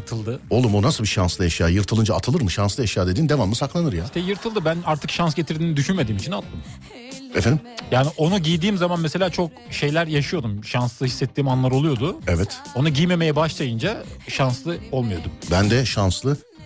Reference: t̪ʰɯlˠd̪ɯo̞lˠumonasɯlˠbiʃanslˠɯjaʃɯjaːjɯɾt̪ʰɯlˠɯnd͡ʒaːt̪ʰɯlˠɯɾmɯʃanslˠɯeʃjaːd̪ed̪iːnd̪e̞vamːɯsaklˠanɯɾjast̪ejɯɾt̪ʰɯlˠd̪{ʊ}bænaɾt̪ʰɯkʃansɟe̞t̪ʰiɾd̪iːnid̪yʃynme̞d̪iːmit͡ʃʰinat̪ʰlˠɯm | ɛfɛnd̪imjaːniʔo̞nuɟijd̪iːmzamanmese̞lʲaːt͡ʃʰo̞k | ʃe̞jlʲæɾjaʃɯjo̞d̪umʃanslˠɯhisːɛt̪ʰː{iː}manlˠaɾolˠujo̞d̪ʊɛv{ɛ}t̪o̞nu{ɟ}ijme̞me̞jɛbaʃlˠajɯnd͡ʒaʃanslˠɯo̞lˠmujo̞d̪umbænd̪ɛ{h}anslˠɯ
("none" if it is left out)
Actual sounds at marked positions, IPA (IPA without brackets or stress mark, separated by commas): ɯ, iː, ɛ, ɟ, ʃ